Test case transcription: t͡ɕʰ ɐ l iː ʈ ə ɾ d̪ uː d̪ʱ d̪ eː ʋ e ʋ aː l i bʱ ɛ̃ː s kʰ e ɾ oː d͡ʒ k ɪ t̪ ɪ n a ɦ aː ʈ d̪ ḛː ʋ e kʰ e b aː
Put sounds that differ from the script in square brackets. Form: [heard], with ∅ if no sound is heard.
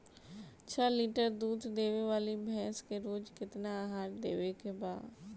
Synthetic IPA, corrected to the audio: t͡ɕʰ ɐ l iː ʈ ə ɾ d̪ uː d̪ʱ d̪ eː ʋ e ʋ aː l i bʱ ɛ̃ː s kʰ e ɾ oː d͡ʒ k ɪ t̪ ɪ n a ɦ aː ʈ d̪ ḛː ʋ e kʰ e b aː